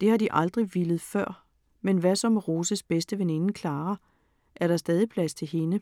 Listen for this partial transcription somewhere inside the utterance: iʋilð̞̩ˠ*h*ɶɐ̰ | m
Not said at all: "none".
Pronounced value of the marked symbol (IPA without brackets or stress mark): f